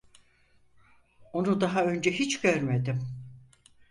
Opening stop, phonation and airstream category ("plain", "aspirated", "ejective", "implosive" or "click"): plain